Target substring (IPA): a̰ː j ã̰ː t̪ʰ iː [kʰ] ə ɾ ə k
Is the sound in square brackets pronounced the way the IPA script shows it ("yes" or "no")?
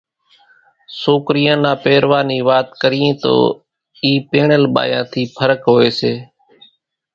no